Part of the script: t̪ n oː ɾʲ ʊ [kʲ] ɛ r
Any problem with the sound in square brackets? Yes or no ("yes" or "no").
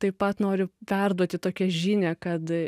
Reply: yes